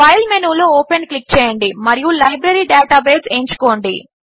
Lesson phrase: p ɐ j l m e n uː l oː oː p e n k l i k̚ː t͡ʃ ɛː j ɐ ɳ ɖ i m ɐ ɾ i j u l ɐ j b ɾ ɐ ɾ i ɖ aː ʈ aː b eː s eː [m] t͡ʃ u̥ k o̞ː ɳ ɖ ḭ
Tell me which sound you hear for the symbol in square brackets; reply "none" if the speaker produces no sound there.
ɲ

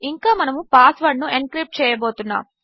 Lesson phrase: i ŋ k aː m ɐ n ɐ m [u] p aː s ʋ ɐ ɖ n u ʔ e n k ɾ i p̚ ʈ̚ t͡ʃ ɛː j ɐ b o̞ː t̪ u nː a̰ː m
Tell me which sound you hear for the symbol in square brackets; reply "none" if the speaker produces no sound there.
u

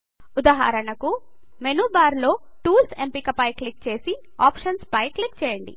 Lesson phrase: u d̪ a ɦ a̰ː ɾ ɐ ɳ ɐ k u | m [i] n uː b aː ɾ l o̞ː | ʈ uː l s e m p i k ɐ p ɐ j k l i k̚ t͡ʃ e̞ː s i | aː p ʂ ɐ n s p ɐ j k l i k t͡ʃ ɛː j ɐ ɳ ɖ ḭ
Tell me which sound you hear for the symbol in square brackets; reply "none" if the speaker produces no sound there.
e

